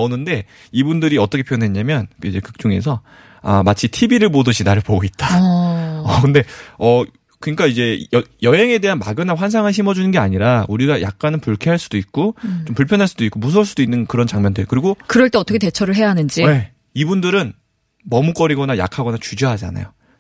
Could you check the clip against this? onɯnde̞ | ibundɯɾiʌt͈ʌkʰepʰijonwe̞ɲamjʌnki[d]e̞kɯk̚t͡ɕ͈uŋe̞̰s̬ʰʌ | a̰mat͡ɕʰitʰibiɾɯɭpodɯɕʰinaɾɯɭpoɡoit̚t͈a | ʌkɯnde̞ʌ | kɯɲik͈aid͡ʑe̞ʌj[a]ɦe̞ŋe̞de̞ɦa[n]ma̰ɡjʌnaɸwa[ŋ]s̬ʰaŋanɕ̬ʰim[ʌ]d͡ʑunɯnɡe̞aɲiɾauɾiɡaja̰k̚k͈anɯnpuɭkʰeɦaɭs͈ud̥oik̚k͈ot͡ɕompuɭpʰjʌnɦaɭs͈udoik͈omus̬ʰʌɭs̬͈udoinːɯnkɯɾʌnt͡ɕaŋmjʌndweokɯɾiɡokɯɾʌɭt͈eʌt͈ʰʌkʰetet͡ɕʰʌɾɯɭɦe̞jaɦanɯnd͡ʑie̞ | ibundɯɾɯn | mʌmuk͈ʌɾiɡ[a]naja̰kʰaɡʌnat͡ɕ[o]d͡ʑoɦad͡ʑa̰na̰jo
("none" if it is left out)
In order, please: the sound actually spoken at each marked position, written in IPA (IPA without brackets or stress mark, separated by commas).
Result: d͡ʑ, ʌ, n, n, ʌ, ʌ, u